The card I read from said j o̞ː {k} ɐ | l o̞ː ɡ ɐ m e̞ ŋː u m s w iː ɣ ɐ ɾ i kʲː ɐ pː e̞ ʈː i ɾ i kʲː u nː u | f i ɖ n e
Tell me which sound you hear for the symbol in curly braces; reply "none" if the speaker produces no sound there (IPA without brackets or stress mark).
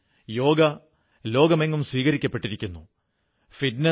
ɡ